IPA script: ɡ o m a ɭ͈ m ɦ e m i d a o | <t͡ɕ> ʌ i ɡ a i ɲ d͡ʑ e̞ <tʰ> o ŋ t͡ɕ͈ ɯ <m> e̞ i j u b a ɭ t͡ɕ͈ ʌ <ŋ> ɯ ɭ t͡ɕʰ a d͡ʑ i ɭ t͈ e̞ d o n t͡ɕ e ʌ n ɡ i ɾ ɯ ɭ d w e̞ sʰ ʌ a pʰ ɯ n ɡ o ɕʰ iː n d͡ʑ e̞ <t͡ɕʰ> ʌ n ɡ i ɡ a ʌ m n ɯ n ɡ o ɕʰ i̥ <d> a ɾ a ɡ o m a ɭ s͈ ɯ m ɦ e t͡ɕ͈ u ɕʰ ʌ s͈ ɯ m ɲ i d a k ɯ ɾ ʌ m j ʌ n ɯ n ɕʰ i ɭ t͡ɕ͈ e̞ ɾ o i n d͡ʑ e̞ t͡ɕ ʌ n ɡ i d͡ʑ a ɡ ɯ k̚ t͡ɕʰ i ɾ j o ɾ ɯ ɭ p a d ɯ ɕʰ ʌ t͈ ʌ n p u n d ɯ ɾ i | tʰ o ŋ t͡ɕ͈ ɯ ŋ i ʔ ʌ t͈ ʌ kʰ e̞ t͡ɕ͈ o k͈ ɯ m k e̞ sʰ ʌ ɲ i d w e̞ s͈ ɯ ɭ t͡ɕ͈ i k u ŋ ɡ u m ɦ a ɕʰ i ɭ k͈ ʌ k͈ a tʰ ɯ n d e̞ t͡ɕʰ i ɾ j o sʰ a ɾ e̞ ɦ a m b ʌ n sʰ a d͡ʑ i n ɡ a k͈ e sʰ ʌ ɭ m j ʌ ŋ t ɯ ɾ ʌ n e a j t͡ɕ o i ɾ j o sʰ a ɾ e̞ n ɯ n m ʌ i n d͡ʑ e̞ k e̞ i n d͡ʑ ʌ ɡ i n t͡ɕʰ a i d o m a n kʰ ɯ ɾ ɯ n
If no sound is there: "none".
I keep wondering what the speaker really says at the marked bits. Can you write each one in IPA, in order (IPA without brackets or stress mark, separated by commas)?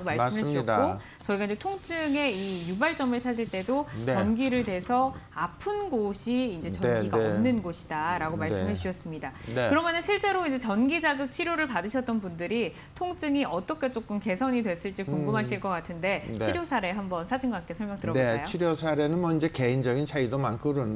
t͡ɕ, tʰ, ŋ, m, t͡ɕ, d